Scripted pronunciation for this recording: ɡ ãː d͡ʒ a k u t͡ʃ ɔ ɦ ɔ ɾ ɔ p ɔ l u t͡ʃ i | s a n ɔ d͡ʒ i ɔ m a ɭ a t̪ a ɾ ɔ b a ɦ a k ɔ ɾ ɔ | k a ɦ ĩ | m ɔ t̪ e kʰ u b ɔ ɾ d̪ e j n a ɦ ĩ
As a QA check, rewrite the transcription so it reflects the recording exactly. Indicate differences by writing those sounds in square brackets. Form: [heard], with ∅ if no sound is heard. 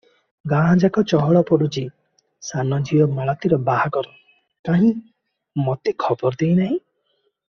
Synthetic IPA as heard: ɡ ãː d͡ʒ a k [ɔ] t͡ʃ ɔ ɦ ɔ [ɭ] ɔ p ɔ [ɽ] u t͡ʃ i | s a n ɔ d͡ʒ i ɔ m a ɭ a t̪ [i] ɾ ɔ b a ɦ a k ɔ ɾ ɔ | k a ɦ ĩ | m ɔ t̪ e kʰ [ɔ] b ɔ ɾ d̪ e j n a ɦ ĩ